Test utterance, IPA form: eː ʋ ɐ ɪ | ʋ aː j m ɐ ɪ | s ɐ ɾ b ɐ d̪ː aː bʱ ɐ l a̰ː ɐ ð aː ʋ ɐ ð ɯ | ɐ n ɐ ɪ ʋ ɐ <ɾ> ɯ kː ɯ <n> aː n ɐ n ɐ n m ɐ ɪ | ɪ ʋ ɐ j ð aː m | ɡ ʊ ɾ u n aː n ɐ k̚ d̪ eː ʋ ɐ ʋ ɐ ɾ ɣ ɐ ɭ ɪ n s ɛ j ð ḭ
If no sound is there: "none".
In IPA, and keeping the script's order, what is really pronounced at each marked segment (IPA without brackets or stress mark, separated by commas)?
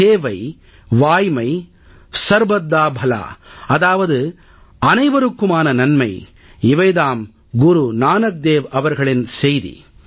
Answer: ɾ, m